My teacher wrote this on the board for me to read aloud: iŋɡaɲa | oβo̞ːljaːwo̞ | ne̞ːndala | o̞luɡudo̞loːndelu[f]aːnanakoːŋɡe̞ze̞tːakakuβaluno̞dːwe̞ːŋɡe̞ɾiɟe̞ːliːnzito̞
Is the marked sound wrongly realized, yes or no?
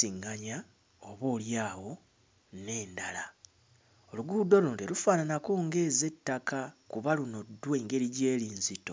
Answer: no